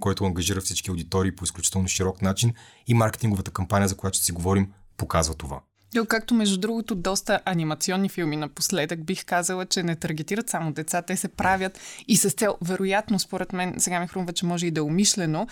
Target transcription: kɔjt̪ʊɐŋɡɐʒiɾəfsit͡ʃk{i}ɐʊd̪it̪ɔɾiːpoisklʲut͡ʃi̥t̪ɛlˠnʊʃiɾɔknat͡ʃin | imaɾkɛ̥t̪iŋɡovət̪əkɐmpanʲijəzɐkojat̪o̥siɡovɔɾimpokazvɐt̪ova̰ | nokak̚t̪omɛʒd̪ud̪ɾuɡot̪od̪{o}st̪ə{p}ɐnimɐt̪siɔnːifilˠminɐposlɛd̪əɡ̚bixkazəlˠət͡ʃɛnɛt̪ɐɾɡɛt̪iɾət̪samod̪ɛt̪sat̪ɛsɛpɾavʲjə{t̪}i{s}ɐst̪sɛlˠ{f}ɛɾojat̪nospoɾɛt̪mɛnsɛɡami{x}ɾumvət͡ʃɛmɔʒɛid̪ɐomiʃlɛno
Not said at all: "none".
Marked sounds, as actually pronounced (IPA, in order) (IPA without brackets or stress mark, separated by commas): i, ɔ, ʔ, t̪, s, v, x